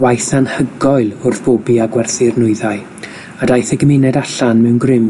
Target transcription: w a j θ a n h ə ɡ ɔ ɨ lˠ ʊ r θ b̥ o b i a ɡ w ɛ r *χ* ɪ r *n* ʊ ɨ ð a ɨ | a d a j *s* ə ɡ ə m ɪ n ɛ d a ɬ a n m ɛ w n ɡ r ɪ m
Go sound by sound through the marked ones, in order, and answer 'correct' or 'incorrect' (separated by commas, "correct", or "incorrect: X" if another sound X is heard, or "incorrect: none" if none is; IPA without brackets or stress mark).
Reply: incorrect: θ, correct, incorrect: θ